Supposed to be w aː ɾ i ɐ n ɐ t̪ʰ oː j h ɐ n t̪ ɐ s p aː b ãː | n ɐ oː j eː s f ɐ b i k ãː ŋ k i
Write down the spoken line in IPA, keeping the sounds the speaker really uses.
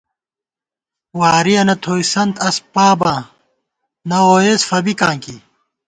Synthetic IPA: w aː ɾ i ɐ n ɐ t̪ʰ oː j s ɐ n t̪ ɐ s p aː b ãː | n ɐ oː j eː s f ɐ b i k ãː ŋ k i